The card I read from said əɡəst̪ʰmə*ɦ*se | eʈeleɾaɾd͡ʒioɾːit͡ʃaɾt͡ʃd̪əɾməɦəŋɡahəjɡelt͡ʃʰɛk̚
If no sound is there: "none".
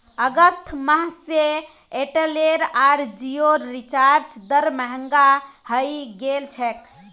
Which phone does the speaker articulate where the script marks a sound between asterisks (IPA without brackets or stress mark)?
ɦ